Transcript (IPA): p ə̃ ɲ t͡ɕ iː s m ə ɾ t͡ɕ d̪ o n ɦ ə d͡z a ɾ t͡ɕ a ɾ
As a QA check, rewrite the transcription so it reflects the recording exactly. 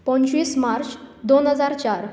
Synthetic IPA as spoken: p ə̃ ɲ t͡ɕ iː s m a ɾ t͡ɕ d̪ o n ɦ ə d͡z a ɾ t͡ɕ a ɾ